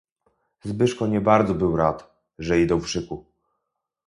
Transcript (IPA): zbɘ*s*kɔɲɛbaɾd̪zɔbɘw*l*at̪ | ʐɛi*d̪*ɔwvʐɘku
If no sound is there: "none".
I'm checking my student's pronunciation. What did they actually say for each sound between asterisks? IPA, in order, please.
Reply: ʂ, ɾ, d̪

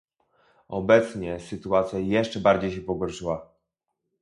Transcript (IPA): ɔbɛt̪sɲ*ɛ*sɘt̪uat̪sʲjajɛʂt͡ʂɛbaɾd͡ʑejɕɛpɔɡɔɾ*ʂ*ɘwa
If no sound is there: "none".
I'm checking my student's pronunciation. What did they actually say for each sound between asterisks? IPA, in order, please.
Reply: ɛ, ʂ

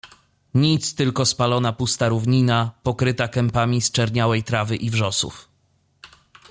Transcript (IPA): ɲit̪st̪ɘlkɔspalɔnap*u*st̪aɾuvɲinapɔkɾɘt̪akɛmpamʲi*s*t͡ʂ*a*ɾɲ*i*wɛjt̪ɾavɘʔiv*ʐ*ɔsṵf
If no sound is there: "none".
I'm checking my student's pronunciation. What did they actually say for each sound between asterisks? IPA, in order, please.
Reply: u, s, ɛ, a, ʐ

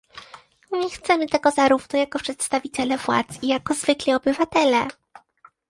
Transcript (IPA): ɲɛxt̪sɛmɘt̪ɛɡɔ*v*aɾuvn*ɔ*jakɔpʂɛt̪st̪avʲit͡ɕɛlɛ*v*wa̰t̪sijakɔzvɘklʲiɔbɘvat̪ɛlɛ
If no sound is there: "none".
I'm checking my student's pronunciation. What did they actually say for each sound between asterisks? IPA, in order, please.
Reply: z, ɔ, v

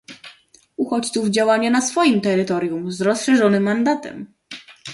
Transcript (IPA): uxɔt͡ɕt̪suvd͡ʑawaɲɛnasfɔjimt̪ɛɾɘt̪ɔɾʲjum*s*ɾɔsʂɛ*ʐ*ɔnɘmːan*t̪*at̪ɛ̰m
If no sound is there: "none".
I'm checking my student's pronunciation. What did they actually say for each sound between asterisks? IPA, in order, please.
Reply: z, ʐ, d̪

